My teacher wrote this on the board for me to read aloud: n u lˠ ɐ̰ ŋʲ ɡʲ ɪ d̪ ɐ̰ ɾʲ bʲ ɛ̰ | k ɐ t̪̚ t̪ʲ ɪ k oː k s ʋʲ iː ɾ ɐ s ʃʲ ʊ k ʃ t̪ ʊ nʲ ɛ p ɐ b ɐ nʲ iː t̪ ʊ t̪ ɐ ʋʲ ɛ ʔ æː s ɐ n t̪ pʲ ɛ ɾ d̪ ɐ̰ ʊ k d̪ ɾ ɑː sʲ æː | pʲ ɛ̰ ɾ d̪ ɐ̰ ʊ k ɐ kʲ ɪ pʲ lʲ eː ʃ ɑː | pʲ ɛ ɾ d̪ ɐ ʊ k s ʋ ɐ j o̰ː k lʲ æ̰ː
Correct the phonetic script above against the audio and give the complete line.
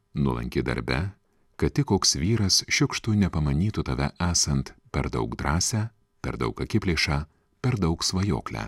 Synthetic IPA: n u lˠ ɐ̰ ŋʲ kʲ ɪ d̪ ɐ̰ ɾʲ bʲ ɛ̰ | k ɐ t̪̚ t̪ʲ ɪ k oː k s ʋʲ iː ɾ ɐ s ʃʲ ʊ k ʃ t̪ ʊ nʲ ɛ p ɐ m ɐ nʲ iː t̪ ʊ t̪ ɐ ʋʲ ɛ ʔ æː s ɐ n t̪ pʲ ɛ ɾ d̪ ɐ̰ ʊ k d̪ ɾ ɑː sʲ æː | pʲ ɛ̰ ɾ d̪ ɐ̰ ʊ k ɐ kʲ ɪ pʲ lʲ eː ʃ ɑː | pʲ ɛ ɾ d̪ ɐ ʊ k s ʋ ɐ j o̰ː k lʲ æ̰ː